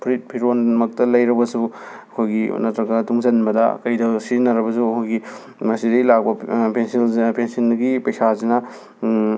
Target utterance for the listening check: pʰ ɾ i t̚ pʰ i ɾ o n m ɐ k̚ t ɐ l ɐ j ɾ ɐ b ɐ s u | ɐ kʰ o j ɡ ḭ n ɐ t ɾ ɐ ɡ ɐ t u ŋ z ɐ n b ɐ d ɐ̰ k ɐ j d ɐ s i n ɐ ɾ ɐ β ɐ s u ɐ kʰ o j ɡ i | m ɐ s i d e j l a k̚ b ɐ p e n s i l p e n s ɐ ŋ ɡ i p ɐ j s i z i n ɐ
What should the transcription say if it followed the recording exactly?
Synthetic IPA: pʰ ɾ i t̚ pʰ i ɾ o n m ɐ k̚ t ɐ l ɐ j ɾ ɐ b ɐ s u | ɐ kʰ o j ɡ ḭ n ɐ t ɾ ɐ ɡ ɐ t u ŋ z ɐ n b ɐ d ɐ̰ k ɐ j d ɐ s i n ɐ ɾ ɐ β ɐ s u ɐ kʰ o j ɡ i | m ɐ s i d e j l a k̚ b ɐ p e n s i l p e n s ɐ n ɡ i p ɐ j s a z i n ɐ